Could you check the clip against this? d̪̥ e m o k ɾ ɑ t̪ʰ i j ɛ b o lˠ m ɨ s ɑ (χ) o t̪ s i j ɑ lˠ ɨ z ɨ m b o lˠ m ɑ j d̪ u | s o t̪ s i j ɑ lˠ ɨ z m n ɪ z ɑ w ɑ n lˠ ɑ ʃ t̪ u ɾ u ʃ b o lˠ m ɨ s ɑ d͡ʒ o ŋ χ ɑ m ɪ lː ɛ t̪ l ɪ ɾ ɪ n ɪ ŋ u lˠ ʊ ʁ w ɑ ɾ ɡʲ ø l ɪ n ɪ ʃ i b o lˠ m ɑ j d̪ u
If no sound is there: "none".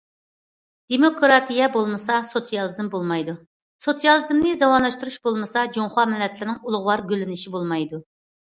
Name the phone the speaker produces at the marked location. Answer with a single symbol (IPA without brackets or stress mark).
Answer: s